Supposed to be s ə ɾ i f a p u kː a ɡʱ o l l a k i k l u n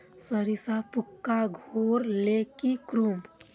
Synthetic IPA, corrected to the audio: s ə ɾ i s a p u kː a ɡʱ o ɾ l e k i k ɾ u m